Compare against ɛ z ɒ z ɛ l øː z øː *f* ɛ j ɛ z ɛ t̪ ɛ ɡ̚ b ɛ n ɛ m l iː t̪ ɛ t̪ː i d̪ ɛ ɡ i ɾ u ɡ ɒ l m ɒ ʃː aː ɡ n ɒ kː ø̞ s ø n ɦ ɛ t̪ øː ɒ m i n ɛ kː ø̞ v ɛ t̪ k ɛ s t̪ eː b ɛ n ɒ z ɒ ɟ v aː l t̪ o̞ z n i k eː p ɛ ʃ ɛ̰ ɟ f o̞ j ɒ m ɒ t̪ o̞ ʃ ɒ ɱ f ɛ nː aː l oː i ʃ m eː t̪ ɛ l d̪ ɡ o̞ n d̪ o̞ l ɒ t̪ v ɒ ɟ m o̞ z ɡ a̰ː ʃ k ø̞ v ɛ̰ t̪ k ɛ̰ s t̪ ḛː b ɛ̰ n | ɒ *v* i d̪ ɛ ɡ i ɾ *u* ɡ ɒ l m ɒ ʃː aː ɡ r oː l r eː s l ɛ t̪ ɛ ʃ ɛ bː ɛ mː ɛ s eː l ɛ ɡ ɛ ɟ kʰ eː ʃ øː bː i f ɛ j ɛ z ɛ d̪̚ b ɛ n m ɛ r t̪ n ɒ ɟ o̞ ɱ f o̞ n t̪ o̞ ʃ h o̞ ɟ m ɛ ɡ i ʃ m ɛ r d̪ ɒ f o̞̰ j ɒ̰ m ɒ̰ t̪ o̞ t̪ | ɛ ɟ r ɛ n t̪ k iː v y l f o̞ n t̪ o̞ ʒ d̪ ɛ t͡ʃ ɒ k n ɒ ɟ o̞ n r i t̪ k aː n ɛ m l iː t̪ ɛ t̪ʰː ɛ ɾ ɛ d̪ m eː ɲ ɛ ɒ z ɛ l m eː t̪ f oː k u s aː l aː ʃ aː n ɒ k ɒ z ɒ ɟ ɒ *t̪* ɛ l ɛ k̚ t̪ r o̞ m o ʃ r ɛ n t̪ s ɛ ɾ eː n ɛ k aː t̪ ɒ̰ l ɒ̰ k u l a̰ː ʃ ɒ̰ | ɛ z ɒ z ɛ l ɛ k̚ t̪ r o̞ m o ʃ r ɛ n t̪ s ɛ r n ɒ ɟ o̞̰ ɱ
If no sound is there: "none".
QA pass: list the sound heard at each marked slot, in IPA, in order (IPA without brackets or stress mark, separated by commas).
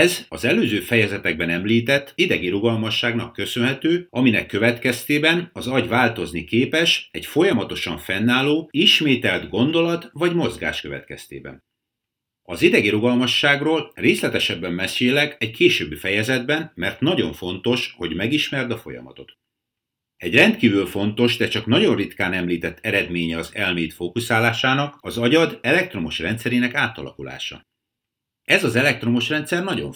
f, z, u, d̪